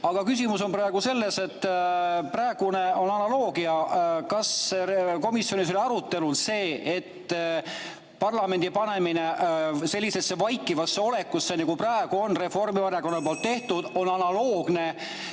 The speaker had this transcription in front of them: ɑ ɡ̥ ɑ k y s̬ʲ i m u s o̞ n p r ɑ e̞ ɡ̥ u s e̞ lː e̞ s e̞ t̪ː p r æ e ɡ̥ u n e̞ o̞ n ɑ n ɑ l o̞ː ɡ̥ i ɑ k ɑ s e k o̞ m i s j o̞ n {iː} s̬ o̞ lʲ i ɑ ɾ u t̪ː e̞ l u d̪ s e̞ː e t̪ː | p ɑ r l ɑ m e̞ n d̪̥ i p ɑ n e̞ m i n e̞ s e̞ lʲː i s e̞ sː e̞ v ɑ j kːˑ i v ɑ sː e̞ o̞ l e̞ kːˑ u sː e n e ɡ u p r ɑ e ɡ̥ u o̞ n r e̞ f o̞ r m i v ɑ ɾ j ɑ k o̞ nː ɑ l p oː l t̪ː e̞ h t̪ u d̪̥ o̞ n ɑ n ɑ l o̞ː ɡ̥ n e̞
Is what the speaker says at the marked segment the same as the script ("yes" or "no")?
no